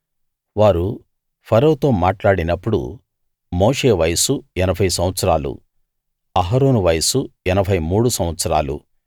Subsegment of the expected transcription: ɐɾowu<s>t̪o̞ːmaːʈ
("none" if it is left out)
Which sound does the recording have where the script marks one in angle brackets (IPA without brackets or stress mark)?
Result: none